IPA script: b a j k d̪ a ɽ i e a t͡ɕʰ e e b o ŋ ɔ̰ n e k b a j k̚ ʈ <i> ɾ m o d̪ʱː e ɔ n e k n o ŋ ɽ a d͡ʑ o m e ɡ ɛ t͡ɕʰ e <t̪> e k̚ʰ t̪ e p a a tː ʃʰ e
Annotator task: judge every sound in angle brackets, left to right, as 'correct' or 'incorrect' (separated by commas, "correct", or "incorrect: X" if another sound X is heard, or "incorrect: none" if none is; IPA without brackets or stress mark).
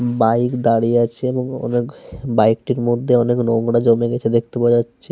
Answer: correct, incorrect: d̪